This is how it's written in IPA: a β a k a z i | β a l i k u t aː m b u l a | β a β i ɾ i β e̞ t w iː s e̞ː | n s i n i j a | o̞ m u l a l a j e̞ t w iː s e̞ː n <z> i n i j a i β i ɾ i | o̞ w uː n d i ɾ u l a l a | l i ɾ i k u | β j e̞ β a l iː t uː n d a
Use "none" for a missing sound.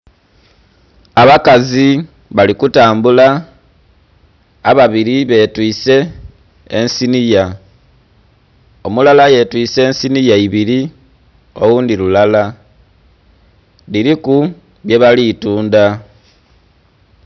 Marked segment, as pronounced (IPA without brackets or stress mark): s